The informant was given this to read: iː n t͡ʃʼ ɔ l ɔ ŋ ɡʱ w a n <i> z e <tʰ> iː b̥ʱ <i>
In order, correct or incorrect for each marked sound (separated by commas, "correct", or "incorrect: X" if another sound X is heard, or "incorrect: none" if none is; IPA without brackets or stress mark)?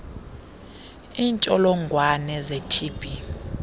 incorrect: ɛ, correct, correct